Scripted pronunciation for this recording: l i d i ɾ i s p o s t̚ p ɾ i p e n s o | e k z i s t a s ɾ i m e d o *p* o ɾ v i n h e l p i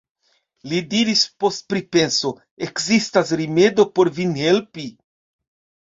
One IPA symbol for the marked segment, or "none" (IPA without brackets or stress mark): p